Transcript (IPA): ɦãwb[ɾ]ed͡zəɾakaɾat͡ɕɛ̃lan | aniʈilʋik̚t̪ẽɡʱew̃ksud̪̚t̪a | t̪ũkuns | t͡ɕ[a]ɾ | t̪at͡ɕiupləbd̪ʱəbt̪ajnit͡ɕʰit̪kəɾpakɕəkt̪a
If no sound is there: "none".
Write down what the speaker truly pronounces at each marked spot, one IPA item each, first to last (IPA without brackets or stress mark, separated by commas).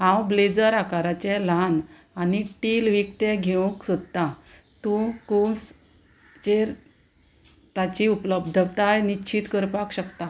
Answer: l, e